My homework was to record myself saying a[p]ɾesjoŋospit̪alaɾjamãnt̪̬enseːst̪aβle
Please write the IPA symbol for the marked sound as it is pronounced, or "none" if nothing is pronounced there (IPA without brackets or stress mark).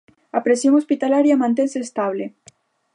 p